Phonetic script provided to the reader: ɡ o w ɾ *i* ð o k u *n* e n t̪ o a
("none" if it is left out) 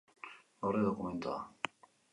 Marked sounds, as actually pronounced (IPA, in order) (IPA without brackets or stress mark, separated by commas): e, m